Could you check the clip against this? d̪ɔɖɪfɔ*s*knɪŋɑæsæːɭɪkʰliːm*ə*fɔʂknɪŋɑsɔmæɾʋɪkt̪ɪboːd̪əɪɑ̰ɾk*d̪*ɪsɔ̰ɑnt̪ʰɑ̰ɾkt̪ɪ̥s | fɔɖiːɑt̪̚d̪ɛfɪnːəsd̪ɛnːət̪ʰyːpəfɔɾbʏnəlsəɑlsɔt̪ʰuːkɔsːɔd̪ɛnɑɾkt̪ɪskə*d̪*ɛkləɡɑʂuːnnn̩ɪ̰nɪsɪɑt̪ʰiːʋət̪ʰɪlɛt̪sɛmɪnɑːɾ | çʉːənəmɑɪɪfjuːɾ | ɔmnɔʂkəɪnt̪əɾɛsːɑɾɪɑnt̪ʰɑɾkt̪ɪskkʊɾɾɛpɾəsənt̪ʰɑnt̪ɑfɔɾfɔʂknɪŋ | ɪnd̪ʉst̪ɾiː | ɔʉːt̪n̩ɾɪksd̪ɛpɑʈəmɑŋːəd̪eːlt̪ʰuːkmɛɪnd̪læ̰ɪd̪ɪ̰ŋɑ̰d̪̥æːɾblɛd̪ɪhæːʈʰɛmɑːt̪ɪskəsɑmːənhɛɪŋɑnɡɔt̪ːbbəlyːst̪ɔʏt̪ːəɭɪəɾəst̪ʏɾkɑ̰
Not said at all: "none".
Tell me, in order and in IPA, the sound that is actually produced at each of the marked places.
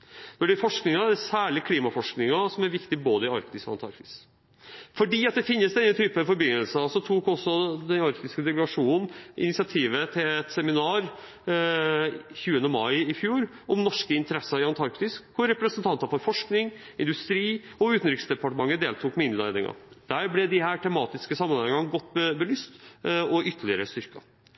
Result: ʂ, ɑ, t̪, d̪

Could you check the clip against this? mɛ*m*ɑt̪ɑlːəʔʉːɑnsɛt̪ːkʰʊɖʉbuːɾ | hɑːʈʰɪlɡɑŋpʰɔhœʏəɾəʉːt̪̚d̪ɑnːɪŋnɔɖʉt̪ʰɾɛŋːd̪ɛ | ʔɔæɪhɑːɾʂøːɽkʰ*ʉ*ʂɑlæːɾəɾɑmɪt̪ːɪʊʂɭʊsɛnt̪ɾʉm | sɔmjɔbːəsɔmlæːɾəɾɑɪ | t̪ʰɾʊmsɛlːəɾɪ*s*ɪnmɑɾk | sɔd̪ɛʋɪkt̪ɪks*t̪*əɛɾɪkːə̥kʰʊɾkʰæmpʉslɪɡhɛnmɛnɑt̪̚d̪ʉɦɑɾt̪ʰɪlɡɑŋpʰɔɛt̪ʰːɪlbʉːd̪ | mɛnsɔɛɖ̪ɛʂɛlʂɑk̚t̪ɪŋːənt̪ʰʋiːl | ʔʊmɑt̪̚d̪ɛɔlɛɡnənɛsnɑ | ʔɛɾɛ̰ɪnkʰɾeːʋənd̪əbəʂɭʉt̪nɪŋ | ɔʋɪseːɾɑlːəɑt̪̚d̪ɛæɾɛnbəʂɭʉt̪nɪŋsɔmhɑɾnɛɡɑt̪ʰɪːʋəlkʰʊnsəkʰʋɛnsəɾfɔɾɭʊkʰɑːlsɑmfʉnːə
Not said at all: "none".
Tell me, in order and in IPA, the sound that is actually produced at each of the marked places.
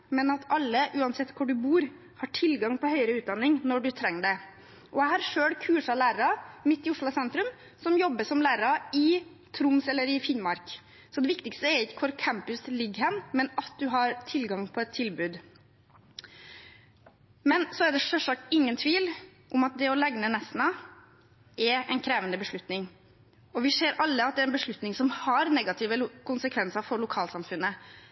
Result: n, ʉː, f, t̪

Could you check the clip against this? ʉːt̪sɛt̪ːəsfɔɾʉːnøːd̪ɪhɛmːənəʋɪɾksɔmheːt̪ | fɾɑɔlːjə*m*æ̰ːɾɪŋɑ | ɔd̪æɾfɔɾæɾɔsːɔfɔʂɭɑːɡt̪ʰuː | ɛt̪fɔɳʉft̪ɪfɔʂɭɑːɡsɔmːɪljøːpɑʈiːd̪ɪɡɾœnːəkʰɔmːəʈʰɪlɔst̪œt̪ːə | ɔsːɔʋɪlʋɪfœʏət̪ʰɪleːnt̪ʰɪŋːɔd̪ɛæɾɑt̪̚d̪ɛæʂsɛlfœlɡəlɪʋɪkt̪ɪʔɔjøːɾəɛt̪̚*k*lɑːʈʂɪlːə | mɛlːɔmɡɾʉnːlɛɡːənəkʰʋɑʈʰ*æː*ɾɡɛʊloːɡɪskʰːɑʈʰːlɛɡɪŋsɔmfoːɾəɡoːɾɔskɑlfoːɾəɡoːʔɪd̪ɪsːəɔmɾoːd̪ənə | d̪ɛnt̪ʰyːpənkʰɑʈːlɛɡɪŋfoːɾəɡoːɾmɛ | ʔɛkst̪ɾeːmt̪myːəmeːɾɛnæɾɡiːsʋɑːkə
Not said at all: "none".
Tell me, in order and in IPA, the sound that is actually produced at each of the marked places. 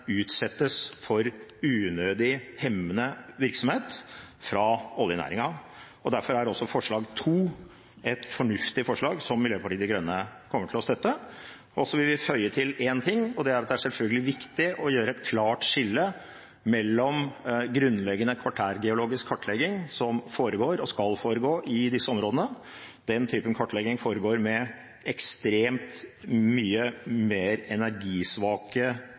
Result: n, kʰ, æː

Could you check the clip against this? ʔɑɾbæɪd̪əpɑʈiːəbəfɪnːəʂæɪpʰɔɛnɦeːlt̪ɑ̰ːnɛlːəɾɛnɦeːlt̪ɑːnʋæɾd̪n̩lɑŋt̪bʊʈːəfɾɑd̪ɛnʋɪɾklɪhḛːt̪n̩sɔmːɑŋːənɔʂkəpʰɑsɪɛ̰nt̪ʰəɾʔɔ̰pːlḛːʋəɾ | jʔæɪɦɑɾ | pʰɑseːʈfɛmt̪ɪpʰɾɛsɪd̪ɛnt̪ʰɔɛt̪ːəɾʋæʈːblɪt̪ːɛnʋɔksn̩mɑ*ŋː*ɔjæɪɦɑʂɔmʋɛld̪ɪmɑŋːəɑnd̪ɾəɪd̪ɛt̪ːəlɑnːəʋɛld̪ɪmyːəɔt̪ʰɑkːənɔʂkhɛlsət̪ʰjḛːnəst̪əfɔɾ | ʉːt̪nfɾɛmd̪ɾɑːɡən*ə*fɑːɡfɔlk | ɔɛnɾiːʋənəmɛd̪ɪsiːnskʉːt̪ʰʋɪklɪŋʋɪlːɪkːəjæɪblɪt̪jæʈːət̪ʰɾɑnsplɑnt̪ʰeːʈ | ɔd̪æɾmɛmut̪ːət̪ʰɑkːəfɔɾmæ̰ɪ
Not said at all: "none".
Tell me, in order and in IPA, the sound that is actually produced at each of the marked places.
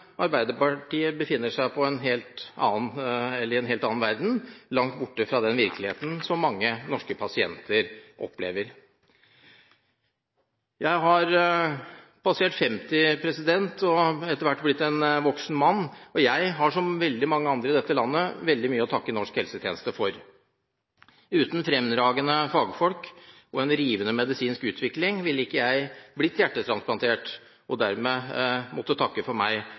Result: nː, ə

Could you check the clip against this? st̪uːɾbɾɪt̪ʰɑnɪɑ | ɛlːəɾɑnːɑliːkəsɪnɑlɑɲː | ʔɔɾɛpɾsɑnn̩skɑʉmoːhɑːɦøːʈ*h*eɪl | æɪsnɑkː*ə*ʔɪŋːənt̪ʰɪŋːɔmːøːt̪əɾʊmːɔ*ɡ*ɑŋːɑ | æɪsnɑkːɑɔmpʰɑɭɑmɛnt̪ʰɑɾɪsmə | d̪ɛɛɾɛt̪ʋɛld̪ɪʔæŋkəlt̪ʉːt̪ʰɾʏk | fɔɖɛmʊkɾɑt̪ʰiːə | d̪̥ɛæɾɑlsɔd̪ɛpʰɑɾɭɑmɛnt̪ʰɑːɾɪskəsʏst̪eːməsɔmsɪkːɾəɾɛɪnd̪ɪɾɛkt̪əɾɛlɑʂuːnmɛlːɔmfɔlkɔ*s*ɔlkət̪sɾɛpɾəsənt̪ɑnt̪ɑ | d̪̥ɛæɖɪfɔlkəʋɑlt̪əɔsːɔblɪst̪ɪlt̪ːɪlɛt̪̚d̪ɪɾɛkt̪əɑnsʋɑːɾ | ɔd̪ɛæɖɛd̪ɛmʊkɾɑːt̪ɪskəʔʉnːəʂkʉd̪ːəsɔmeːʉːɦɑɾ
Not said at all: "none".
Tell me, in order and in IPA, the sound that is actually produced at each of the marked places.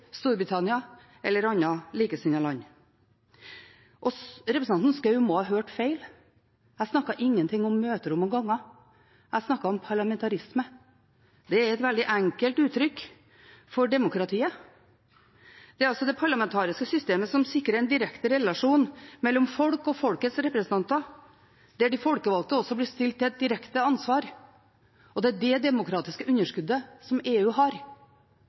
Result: f, ɑ, ɡ, f

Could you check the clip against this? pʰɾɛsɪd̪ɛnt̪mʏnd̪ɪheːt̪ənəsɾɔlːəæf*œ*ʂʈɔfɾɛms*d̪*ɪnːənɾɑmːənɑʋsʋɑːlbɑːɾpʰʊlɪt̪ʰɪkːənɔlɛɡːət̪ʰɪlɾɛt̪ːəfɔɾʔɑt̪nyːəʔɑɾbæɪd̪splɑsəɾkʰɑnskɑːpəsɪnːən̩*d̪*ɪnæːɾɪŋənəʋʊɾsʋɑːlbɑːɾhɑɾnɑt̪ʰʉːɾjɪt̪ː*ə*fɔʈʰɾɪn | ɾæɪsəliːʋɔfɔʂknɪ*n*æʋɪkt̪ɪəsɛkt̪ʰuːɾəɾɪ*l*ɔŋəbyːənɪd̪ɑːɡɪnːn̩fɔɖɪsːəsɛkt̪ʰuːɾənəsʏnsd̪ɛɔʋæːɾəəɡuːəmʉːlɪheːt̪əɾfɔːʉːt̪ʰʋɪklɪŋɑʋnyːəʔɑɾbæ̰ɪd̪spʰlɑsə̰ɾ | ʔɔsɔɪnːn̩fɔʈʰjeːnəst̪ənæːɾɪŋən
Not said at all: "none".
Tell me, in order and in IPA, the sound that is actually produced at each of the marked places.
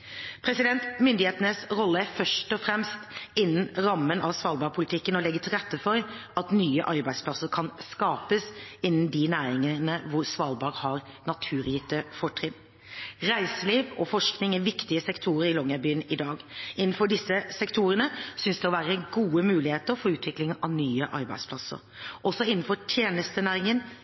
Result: œ, t̪, d̪, ə, ŋ, l

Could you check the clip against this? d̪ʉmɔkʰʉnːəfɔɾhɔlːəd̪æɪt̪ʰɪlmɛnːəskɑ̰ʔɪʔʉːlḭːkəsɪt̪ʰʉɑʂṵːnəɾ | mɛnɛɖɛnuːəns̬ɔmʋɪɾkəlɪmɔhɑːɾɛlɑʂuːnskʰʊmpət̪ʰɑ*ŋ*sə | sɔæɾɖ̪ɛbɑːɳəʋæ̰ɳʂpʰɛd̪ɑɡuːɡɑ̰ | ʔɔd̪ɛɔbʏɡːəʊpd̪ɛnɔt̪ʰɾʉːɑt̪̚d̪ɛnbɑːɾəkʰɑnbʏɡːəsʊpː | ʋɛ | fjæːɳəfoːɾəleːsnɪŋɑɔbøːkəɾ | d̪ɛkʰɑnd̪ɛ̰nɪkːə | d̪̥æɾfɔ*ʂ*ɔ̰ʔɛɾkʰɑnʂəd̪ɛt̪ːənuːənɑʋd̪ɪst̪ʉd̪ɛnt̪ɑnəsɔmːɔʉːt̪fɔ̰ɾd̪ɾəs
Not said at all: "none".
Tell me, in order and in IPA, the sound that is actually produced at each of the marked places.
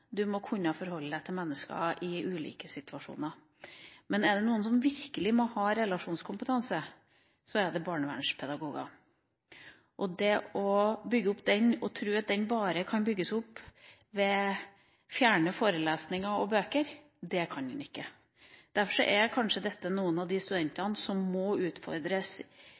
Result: n, ʂ

